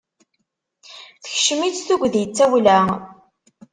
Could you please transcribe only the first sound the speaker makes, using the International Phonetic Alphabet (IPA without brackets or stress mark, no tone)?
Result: θ